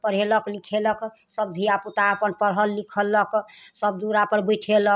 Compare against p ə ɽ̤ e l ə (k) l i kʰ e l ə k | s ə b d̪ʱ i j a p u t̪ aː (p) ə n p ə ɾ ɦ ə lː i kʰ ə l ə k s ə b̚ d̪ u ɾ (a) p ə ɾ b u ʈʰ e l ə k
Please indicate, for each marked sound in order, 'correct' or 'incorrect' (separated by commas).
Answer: correct, correct, correct